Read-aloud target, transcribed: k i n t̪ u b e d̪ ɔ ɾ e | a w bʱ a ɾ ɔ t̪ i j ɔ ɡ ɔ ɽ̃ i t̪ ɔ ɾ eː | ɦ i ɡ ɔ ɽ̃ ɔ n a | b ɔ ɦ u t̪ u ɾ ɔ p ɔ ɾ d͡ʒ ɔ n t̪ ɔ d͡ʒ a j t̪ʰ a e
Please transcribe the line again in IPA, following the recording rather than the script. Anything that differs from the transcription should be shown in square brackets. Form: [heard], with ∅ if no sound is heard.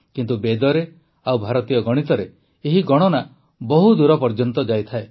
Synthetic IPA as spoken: k i n t̪ u b e d̪ ɔ ɾ e | a w bʱ a ɾ ɔ t̪ i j ɔ ɡ ɔ ɽ̃ i t̪ ɔ ɾ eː | ɦ i ɡ ɔ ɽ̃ ɔ n a | b ɔ ɦ u [d̪] u ɾ ɔ p ɔ ɾ d͡ʒ ɔ n t̪ ɔ d͡ʒ a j t̪ʰ a e